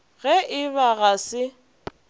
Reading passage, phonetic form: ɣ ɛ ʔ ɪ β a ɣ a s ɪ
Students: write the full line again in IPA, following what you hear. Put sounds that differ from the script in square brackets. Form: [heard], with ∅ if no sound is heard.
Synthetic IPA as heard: ɣ ɛ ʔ ɪ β a ɣ a s ɪ